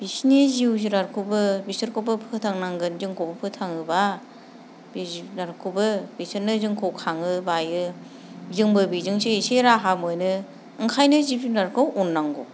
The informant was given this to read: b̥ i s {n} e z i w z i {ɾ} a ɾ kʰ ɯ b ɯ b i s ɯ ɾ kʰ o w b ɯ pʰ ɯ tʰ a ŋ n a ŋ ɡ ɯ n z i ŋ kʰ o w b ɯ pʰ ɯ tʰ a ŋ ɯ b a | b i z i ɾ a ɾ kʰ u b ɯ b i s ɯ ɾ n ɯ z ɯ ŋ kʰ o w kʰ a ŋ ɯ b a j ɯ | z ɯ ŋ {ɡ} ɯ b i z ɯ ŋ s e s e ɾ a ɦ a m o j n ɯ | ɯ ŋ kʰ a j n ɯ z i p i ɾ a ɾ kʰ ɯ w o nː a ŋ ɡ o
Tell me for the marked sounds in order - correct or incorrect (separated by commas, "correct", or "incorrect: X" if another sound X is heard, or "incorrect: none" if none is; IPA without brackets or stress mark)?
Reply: correct, correct, incorrect: b